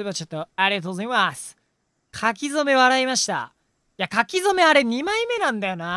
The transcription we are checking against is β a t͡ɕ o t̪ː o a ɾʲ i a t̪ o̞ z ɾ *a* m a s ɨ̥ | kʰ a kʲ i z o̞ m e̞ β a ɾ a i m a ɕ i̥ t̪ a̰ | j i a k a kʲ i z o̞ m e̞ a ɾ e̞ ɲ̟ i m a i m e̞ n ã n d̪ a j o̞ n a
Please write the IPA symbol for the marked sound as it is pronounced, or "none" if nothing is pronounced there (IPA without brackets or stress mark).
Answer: i